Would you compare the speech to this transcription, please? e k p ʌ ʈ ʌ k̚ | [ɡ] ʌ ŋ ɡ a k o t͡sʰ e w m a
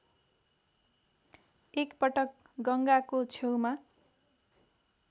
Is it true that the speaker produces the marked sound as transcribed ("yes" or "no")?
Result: yes